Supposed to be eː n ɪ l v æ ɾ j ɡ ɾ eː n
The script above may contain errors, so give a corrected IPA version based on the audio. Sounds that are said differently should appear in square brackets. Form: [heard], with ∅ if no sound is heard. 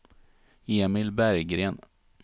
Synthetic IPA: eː [m] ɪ l [b] æ ɾ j ɡ ɾ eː n